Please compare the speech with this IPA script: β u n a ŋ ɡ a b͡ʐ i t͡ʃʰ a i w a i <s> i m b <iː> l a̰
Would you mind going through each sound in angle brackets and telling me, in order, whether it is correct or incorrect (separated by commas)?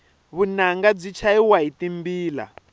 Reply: incorrect, correct